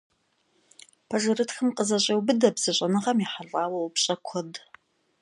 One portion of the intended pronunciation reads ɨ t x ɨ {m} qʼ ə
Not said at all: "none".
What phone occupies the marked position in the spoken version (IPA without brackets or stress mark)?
m